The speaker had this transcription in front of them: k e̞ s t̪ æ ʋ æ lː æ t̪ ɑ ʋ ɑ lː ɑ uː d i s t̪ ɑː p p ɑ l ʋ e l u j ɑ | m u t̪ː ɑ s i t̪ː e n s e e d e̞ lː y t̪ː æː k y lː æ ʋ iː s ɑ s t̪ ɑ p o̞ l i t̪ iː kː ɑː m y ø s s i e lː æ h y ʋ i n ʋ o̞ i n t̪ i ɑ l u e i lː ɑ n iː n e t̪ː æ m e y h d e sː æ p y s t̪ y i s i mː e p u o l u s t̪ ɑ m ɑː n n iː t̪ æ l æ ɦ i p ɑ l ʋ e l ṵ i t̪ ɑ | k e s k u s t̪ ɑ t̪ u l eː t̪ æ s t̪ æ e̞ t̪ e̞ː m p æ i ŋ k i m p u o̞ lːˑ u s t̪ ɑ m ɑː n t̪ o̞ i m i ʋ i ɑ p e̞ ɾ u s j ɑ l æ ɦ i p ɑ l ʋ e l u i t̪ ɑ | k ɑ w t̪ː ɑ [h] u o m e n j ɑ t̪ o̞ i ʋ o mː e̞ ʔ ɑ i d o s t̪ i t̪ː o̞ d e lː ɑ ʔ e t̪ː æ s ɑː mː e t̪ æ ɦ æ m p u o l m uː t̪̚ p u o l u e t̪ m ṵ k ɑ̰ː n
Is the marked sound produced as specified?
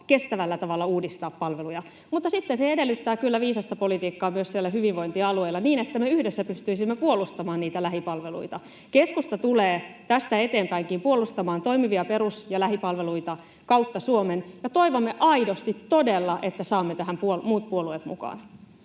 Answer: no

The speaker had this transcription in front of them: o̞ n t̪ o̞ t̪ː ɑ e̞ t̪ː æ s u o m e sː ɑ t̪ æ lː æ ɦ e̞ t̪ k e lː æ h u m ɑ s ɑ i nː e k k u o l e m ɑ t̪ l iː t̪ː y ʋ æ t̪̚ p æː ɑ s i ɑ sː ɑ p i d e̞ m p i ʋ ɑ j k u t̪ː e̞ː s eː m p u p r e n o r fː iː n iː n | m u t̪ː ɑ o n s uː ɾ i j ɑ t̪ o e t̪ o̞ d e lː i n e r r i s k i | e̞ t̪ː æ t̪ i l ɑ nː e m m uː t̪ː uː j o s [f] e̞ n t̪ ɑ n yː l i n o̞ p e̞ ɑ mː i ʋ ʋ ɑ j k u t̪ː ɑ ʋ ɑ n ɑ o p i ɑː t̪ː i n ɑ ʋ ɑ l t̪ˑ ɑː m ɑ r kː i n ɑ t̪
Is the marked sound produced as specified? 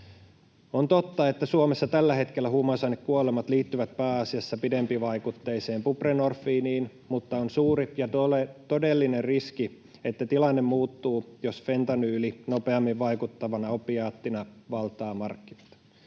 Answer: yes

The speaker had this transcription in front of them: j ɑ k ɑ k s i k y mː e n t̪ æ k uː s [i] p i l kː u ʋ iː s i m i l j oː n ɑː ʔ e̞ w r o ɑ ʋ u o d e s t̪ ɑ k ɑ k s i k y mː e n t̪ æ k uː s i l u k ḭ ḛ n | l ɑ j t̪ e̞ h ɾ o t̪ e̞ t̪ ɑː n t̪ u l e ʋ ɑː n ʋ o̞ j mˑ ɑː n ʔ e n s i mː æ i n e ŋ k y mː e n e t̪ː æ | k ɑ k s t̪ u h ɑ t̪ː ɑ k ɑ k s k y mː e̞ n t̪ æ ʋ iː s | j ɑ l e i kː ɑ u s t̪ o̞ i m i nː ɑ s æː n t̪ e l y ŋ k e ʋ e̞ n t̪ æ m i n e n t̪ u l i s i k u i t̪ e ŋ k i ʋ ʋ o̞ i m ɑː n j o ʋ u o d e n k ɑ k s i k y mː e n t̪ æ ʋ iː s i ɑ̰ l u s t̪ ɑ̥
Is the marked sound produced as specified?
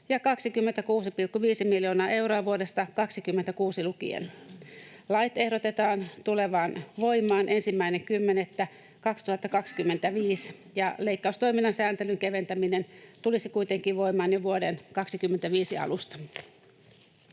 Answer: yes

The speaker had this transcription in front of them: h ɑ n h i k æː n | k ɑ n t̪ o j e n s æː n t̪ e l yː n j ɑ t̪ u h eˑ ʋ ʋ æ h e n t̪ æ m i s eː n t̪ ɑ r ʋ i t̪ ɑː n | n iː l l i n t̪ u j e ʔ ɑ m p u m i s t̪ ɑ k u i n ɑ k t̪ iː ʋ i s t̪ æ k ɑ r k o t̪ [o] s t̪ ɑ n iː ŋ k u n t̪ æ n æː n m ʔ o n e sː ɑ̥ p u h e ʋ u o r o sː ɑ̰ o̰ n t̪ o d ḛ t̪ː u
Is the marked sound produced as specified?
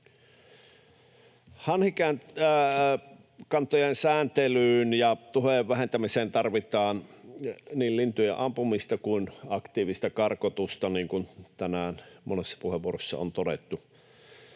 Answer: no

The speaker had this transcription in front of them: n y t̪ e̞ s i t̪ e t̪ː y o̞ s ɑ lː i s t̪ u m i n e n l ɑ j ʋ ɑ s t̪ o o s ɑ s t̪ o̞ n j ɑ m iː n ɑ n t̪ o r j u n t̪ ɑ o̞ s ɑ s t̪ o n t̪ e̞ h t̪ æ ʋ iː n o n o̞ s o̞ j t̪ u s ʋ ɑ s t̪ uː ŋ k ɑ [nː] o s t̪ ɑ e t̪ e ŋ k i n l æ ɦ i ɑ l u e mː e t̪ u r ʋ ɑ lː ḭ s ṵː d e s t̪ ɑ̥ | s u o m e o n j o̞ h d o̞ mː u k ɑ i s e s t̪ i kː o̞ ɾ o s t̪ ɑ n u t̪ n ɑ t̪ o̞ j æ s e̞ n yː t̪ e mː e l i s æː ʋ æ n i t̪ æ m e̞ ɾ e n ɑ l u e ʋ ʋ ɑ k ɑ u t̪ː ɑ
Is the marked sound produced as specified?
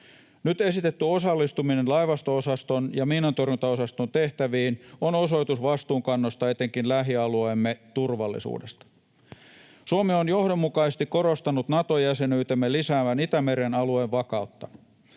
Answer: yes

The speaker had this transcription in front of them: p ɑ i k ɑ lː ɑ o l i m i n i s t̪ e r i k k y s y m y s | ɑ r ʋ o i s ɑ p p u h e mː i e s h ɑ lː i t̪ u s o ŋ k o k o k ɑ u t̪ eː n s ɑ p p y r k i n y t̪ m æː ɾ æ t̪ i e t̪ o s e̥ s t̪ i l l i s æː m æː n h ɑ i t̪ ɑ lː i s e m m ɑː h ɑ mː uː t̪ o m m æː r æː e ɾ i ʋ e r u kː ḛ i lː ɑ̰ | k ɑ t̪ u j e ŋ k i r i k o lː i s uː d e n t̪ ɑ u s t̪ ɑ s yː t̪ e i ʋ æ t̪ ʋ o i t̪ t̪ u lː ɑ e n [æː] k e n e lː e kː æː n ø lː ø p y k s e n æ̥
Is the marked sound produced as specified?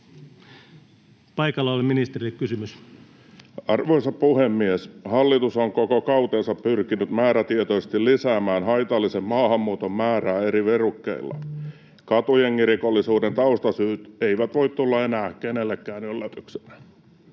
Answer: yes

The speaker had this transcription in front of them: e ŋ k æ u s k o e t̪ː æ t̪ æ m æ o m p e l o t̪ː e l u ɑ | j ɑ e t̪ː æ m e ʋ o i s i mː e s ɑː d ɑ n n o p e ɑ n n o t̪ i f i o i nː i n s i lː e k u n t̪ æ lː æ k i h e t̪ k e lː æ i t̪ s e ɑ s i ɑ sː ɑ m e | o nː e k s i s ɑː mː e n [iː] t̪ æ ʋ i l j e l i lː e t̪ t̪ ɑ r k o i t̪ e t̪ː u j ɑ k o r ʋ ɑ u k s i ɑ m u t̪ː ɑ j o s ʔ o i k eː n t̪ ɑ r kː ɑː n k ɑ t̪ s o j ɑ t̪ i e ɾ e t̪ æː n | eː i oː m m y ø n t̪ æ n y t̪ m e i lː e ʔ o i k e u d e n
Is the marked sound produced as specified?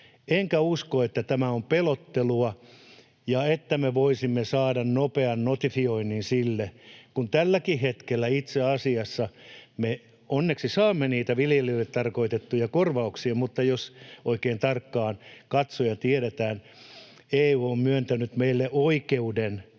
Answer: yes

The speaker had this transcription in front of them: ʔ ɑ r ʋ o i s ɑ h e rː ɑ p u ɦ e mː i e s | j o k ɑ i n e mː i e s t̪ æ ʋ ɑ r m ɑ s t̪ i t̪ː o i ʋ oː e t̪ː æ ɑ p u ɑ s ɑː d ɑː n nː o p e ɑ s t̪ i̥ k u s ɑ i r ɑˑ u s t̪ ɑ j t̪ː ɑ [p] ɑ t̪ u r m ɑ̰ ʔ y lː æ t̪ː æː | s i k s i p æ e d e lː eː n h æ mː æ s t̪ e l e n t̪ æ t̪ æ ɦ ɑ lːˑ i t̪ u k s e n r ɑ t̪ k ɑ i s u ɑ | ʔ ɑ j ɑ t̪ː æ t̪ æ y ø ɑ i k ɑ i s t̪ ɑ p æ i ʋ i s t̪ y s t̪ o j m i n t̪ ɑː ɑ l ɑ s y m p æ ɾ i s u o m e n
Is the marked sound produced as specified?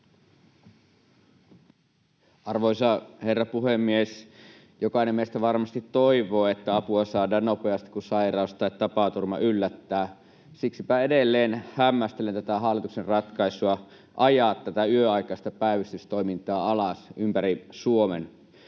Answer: yes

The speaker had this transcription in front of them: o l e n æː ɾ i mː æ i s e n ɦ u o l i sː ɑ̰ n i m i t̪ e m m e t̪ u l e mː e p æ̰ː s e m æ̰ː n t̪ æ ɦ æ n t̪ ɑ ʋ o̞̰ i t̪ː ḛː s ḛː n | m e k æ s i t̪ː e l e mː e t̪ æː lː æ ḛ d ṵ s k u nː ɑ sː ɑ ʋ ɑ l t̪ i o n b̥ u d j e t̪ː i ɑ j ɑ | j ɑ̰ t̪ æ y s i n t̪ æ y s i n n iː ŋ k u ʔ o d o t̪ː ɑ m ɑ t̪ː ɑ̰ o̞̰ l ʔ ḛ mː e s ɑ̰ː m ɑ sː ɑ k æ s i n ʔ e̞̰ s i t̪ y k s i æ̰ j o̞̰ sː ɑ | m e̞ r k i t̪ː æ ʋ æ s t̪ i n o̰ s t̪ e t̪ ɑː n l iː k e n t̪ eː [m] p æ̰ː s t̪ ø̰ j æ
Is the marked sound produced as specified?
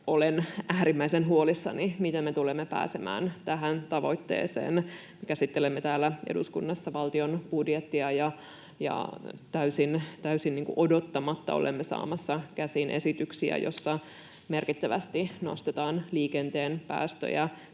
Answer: no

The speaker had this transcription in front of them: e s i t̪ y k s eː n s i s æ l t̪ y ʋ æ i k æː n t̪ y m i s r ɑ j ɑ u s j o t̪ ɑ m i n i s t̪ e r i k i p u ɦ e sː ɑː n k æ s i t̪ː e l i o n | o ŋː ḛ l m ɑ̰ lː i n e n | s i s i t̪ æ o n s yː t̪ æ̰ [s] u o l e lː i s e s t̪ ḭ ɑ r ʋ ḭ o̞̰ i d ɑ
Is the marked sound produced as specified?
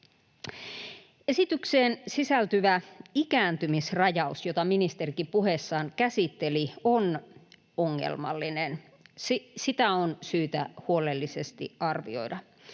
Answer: no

